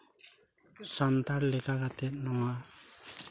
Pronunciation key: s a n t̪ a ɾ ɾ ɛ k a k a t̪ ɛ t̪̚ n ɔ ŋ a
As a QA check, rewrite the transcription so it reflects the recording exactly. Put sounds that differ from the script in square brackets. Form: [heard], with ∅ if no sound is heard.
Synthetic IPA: s a n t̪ a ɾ [l] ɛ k a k a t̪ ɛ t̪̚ n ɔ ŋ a